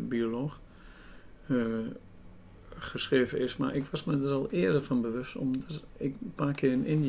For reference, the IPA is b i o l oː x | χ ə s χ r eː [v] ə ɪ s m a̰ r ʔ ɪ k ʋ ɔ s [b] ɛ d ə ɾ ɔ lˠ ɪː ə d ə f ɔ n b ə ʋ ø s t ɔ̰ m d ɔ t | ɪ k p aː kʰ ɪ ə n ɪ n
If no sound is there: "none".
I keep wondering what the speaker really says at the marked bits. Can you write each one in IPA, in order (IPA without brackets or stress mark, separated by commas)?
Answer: v, m